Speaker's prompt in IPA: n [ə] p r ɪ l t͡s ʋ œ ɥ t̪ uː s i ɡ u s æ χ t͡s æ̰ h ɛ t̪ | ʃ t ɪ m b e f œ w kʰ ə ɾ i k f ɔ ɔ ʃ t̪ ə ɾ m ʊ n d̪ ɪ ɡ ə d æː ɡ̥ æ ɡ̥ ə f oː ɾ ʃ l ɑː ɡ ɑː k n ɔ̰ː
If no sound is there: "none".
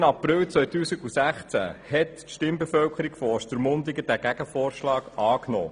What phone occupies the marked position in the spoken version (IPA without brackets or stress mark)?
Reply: ɑ